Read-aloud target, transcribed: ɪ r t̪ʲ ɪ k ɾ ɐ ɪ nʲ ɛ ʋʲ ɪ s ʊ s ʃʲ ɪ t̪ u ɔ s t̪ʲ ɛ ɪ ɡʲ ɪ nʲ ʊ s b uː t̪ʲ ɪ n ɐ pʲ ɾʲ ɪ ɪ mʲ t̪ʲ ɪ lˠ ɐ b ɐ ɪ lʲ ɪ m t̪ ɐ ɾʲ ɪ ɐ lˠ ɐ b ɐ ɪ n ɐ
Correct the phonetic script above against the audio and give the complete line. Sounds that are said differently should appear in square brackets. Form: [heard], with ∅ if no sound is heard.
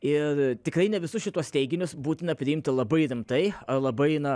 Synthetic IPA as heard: ɪ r t̪ʲ ɪ k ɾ ɐ ɪ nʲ ɛ ʋʲ ɪ s ʊ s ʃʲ ɪ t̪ u ɔ s t̪ʲ ɛ ɪ ɡʲ ɪ nʲ ʊ s b uː t̪ʲ ɪ n ɐ pʲ ɾʲ ɪ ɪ mʲ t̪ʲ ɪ lˠ ɐ b ɐ ɪ [ɾʲ] ɪ m t̪ ɐ [∅] ɪ ɐ lˠ ɐ b ɐ ɪ n ɐ